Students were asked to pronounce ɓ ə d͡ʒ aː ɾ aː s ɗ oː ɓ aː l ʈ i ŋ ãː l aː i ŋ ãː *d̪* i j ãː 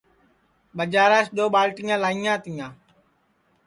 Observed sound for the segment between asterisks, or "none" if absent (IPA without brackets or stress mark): t̪